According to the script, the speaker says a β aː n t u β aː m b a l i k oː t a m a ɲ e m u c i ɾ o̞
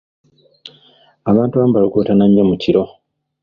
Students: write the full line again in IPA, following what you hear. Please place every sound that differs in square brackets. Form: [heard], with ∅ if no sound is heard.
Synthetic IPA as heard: a β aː n t u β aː m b a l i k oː t a [n] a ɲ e m u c i ɾ o̞